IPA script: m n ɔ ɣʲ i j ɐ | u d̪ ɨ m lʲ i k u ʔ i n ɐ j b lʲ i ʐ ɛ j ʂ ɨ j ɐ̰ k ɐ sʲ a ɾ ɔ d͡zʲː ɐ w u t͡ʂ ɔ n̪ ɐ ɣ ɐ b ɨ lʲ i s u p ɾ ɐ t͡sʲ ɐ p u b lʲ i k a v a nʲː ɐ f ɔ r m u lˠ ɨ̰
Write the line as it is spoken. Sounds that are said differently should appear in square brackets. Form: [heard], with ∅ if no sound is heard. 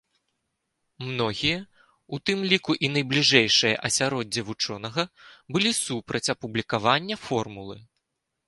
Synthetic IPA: m n ɔ ɣʲ i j ɐ | u [t̪] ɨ m lʲ i k u ʔ i n ɐ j b lʲ i ʐ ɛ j ʂ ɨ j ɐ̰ [ʔ] ɐ sʲ a ɾ ɔ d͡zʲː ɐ [v] u t͡ʂ ɔ n̪ ɐ ɣ ɐ b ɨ lʲ i s u p ɾ ɐ t͡sʲ ɐ p u b lʲ i k a v a nʲː ɐ f ɔ r m u lˠ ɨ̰